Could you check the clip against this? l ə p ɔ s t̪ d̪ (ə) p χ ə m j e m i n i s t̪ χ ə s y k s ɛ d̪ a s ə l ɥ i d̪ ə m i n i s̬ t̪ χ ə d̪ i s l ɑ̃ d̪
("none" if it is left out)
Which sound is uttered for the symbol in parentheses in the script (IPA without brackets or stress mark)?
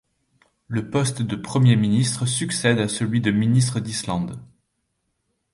ə